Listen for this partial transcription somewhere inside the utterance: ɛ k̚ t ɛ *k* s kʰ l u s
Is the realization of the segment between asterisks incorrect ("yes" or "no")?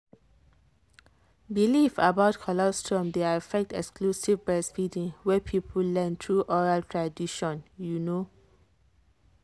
no